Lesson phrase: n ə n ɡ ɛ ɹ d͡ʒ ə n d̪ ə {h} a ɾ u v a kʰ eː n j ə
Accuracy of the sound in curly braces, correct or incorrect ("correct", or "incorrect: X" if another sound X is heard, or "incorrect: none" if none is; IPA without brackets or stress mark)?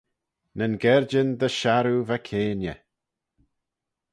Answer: incorrect: ʃ